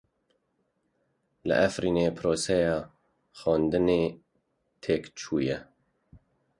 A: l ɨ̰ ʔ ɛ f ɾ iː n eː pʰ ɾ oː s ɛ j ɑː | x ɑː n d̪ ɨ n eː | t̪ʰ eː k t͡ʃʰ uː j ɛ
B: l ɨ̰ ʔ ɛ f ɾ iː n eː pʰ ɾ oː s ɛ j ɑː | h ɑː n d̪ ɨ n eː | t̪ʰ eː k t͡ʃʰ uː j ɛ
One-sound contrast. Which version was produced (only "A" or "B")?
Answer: A